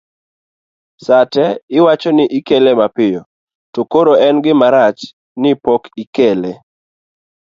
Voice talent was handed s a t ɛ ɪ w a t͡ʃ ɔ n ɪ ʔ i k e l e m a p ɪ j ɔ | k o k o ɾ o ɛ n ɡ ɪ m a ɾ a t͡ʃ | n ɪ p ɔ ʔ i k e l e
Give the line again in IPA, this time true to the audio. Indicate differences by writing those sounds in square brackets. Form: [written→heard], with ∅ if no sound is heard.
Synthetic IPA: s a t ɛ ɪ w a t͡ʃ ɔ n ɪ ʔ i k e l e m a p ɪ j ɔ | [k→t] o k o ɾ o ɛ n ɡ ɪ m a ɾ a t͡ʃ | n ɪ p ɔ [ʔ→k] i k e l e